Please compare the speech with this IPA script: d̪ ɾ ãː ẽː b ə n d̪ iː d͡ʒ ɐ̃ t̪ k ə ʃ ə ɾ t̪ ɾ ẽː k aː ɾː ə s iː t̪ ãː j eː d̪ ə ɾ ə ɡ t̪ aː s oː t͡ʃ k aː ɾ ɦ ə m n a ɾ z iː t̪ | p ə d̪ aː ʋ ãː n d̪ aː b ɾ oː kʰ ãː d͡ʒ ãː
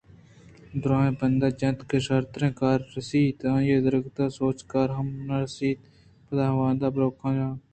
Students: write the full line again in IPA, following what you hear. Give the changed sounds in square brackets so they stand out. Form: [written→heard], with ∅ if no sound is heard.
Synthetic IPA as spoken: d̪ ɾ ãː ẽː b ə n d̪ [iː→aː] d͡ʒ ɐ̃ t̪ k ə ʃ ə ɾ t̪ ɾ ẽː k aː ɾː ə s iː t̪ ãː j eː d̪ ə ɾ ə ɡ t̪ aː s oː t͡ʃ k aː ɾ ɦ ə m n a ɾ [z→s] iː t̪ | p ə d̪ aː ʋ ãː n d̪ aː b ɾ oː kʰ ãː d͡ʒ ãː